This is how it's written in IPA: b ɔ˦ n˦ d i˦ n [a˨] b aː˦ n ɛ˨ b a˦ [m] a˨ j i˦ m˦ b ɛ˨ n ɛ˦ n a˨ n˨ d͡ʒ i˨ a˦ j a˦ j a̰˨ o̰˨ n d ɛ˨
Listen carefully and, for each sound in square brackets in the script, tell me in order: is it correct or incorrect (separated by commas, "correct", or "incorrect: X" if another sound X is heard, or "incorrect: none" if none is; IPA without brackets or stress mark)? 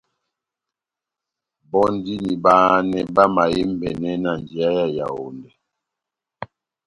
incorrect: i˨, correct